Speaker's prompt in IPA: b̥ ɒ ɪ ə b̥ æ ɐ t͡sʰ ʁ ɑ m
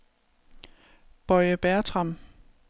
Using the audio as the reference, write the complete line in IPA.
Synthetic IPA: b̥ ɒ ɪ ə b̥ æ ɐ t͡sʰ ʁ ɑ m